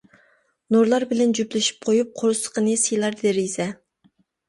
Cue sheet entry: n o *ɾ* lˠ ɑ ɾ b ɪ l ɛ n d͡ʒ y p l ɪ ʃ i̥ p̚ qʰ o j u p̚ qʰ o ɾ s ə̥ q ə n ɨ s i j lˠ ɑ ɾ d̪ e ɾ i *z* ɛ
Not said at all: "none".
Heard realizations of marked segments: ɾ, z

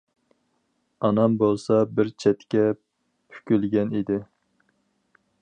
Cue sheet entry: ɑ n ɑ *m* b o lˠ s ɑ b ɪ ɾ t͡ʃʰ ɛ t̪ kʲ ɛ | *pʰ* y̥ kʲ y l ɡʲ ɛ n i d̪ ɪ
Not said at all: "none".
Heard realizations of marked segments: m, pʰ

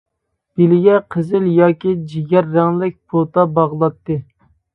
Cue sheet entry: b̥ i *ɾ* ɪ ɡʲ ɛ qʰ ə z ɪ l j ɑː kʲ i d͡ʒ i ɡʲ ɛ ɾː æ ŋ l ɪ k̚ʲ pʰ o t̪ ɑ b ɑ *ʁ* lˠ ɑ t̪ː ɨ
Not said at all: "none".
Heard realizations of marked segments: l, ʁ

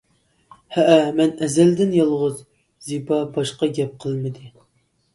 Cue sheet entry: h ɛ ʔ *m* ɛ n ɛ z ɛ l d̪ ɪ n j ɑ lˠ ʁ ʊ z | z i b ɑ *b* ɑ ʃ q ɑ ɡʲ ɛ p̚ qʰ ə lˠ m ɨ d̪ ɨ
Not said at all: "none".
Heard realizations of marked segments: m, b

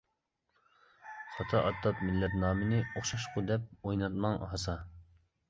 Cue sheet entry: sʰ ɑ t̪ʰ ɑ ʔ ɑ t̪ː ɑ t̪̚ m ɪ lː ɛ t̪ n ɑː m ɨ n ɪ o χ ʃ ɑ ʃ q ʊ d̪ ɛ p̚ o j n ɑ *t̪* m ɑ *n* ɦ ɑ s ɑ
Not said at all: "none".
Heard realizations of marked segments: t̪, ŋ

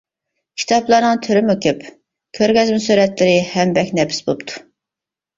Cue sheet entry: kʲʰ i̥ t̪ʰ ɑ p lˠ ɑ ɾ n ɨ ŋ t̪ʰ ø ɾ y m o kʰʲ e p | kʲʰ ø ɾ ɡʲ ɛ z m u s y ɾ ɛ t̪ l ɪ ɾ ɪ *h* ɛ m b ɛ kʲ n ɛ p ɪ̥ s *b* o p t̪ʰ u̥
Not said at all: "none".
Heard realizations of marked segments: h, b

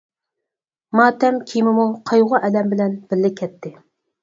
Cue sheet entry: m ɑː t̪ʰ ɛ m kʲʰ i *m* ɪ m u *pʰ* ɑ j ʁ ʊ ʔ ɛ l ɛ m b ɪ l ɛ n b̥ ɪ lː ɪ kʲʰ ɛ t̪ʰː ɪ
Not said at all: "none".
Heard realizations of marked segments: m, qʰ

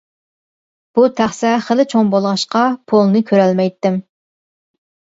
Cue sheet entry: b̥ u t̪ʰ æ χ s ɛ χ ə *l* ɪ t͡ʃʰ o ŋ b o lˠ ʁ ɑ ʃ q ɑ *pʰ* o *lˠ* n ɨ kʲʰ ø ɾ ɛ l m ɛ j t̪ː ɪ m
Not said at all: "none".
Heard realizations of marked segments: l, pʰ, lˠ

